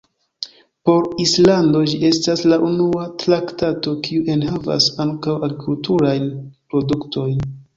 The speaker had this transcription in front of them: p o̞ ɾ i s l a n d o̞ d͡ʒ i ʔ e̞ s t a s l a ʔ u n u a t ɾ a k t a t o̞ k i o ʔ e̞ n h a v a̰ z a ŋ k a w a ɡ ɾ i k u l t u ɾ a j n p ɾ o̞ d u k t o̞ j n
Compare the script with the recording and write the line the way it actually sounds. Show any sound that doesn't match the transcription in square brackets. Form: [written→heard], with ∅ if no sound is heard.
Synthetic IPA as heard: p o̞ ɾ i s l a n d o̞ d͡ʒ i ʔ e̞ s t a s l a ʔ u n u a t ɾ a k t a t o̞ k i [o→u] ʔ e̞ n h a v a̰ [z→s] a ŋ k a w a ɡ ɾ i k u l t u ɾ a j n p ɾ o̞ d u k t o̞ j n